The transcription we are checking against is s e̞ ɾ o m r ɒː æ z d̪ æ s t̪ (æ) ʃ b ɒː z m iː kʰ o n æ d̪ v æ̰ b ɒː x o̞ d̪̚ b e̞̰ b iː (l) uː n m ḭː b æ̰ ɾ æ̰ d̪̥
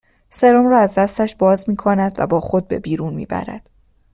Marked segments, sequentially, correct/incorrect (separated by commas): correct, incorrect